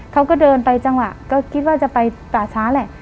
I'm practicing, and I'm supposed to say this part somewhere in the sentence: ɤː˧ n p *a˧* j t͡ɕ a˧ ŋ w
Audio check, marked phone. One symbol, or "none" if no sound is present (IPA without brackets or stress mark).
a˧